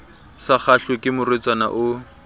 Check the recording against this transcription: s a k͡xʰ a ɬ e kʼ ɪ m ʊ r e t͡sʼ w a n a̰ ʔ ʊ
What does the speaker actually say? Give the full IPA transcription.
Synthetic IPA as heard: s a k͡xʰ a ɬ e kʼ ɪ m ʊ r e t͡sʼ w a n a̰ ʔ ʊ

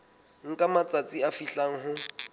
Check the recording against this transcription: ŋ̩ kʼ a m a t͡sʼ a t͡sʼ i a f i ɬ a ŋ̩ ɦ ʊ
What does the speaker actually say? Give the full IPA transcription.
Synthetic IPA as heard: ŋ̩ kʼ a m a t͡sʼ a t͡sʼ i a f i ɬ a ŋ̩ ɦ ʊ

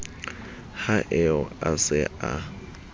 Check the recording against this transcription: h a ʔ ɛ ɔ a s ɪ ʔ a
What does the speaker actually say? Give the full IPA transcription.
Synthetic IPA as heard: h a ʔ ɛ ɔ a s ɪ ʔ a

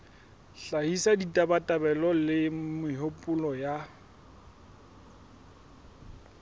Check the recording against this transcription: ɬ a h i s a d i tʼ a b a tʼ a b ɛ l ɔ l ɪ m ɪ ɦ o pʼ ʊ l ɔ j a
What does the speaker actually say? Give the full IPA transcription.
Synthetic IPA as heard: ɬ a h i s a d i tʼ a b a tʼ a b ɛ l ɔ l ɪ m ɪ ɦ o pʼ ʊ l ɔ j a

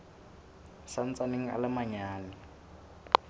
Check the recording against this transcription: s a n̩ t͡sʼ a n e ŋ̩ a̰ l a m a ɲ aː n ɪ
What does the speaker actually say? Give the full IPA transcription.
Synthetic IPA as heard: s a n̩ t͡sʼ a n e ŋ̩ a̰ l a m a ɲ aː n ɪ

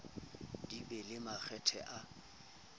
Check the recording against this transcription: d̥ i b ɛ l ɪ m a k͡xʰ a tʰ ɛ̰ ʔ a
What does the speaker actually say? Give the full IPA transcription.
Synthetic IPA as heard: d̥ i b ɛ l ɪ m a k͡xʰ ɛ tʰ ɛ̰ ʔ a

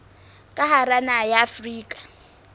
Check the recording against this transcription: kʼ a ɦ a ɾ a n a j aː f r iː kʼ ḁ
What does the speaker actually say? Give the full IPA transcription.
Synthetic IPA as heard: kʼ a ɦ a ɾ a n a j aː f r iː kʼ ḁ

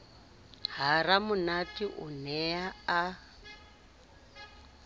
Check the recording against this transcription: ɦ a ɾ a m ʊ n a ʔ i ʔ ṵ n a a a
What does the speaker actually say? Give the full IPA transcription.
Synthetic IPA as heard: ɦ a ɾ a m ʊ n a t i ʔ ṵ n ɛ a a

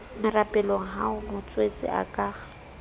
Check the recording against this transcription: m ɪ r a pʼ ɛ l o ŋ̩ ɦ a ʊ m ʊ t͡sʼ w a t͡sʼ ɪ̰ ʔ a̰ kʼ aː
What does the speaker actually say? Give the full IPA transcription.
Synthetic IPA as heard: m ɪ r a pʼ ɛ l o ŋ̩ ɦ a ʊ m ʊ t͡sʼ w e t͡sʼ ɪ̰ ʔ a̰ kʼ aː

